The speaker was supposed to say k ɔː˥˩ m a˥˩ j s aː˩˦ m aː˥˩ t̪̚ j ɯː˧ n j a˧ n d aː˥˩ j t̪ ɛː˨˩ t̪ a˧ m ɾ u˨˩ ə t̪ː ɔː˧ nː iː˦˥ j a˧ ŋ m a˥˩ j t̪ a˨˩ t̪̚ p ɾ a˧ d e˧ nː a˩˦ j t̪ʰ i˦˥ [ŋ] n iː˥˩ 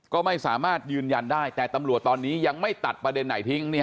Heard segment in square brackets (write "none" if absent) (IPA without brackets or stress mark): ŋ